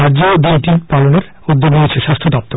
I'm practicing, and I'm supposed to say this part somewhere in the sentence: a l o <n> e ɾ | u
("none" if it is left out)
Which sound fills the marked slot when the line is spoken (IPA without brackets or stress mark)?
n